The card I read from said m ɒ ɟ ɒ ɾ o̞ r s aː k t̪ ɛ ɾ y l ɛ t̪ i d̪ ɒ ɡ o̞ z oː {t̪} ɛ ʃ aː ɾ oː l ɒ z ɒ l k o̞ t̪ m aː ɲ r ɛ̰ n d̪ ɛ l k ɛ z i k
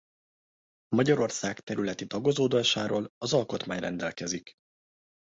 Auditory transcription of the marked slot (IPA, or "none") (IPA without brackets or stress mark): d̪